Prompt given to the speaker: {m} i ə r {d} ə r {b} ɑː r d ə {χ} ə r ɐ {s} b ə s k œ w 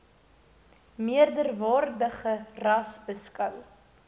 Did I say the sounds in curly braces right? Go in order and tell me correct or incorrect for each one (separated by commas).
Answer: correct, correct, incorrect, correct, correct